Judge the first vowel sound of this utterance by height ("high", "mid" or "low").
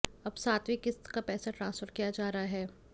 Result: low